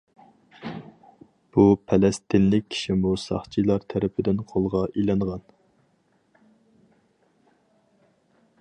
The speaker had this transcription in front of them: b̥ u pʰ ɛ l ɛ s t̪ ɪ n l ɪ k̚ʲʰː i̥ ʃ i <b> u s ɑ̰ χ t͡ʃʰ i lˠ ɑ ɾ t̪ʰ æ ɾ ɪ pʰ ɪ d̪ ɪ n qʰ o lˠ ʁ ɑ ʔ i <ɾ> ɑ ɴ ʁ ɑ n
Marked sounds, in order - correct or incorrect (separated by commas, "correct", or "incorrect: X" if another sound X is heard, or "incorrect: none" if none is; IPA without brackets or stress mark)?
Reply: incorrect: m, incorrect: l